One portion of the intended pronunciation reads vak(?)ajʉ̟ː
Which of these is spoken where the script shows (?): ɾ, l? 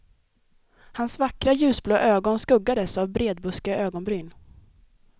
ɾ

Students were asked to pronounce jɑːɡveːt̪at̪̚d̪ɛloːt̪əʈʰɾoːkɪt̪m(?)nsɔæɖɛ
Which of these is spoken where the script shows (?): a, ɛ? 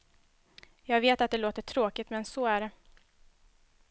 ɛ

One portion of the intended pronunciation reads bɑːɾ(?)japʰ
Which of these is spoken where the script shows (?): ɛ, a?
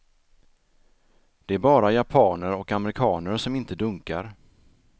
a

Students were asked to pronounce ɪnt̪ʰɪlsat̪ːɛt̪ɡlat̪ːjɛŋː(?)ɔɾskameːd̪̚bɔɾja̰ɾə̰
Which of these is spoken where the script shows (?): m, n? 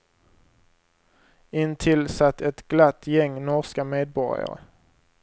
n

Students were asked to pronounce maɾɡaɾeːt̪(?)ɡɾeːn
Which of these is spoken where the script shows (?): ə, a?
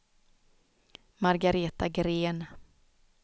a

